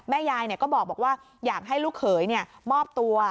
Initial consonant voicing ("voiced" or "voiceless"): voiced